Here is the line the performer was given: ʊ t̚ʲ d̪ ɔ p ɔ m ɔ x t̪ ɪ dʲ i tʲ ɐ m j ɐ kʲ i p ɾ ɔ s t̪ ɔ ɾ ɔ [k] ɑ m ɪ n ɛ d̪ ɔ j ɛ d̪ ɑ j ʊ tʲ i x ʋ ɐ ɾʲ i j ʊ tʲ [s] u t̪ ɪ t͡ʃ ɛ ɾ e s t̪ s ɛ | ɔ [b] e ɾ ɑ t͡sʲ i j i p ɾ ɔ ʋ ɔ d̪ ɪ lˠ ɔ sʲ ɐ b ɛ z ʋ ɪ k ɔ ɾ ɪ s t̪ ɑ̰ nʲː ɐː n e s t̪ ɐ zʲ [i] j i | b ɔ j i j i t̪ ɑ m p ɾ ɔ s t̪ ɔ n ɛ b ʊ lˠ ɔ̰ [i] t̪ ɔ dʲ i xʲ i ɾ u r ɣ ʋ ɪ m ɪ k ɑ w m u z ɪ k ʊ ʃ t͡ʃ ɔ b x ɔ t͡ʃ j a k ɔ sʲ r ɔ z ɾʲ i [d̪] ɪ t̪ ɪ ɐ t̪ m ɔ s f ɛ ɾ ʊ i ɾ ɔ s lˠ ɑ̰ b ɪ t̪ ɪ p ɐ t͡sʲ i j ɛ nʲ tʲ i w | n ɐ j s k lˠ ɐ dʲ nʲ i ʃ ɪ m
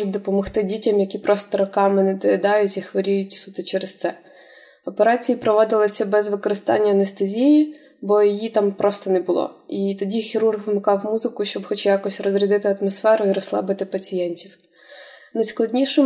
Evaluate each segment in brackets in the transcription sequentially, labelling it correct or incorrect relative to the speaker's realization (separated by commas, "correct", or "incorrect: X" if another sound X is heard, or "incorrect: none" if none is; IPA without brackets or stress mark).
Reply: correct, correct, incorrect: p, correct, correct, correct